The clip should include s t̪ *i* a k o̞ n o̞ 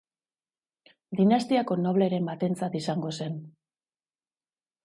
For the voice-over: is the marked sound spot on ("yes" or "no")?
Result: yes